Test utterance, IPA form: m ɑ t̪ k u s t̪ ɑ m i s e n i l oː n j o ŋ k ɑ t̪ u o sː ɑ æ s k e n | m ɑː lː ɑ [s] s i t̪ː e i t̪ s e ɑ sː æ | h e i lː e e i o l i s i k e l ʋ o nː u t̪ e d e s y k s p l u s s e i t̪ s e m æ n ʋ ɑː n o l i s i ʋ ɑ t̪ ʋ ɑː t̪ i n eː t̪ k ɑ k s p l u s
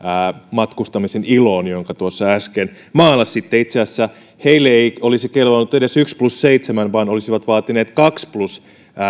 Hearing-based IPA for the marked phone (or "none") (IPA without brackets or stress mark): s